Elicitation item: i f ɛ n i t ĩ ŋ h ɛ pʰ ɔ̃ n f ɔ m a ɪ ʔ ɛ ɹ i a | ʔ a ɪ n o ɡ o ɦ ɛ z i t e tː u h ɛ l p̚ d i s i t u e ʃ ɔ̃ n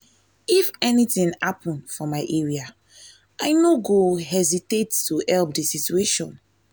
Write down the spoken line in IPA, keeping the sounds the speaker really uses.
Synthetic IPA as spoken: i f ɛ n i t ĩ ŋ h a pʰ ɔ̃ n f ɔ m a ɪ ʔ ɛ ɹ i a | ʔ a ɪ n o ɡ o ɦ ɛ z i t e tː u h ɛ l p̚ d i s i t u e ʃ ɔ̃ n